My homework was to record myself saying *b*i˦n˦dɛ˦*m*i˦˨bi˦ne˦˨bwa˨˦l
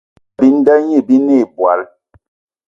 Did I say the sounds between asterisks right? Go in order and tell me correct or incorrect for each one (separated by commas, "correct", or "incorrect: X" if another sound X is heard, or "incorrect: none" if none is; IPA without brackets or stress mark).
correct, incorrect: ɲ